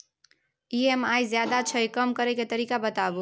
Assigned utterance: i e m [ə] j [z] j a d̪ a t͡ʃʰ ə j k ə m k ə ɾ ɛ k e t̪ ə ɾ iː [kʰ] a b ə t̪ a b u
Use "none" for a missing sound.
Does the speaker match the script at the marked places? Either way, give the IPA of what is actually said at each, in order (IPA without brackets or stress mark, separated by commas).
a, z, k